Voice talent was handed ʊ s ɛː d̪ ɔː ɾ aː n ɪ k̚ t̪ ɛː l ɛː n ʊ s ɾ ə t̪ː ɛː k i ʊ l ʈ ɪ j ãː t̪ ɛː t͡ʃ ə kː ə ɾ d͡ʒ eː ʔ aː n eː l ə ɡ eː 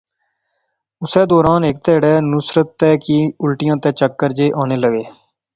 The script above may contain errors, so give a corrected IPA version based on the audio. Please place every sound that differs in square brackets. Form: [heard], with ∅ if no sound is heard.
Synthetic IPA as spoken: ʊ s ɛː d̪ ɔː ɾ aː n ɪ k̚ t̪ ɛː [ɽ] ɛː n ʊ s ɾ ə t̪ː ɛː k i ʊ l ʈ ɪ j ãː t̪ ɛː t͡ʃ ə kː ə ɾ d͡ʒ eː ʔ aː n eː l ə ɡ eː